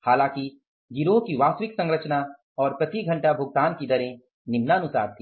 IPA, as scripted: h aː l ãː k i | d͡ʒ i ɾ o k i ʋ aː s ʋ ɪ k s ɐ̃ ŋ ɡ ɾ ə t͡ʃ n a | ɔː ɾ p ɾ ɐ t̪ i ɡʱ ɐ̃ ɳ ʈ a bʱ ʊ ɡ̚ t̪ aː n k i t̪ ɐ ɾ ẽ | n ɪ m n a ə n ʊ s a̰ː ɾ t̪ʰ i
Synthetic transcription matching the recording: h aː l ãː k i | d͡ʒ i ɾ o k i ʋ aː s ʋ ɪ k s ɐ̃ ŋ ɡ ɾ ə t͡ʃ n a | ɔː ɾ p ɾ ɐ t̪ i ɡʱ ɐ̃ ɳ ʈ a bʱ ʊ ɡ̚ t̪ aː n k i d̪ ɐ ɾ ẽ | n ɪ m n a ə n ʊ s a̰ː ɾ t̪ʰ i